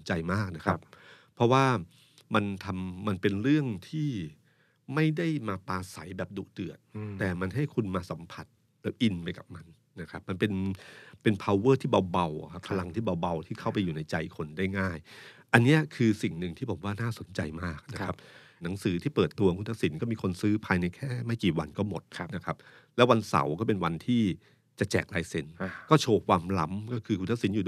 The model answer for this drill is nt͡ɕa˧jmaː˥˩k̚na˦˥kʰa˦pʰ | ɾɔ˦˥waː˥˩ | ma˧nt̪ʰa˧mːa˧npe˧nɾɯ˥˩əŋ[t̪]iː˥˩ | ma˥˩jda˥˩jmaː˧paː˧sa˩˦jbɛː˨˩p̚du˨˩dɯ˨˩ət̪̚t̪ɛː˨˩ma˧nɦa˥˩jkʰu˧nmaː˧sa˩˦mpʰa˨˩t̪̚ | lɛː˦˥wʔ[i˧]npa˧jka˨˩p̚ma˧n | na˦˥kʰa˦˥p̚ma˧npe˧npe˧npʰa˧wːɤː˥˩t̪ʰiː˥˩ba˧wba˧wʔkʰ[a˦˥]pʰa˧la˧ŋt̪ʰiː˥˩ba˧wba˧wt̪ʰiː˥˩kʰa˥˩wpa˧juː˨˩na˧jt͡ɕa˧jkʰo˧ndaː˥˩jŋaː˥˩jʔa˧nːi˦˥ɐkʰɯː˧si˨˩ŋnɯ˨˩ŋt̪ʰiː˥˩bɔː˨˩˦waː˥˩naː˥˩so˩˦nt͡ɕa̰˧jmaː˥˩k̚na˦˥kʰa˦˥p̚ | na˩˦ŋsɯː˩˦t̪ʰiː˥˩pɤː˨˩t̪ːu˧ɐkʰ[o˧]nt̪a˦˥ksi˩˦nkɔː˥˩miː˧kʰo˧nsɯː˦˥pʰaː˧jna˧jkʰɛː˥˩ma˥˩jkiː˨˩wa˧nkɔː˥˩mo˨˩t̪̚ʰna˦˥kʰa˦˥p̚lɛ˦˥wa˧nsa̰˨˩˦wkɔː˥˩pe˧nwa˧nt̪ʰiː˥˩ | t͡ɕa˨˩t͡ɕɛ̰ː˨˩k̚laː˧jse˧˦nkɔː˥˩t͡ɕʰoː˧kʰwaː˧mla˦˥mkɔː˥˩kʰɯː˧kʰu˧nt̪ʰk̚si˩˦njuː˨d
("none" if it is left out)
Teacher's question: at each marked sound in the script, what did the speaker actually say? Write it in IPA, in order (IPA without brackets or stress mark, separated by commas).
t̪ʰ, i˧, a˦˥, u˧